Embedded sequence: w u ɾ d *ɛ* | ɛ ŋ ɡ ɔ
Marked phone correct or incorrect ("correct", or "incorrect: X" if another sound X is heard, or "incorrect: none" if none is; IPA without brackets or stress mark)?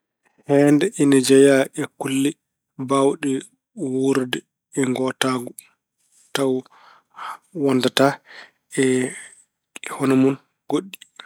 correct